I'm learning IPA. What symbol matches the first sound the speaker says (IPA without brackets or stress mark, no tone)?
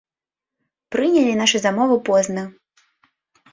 p